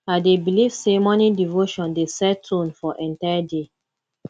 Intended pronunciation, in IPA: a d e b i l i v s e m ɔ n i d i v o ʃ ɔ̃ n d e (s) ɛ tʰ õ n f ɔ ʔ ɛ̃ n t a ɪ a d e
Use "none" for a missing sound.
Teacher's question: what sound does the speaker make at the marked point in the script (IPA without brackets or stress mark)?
s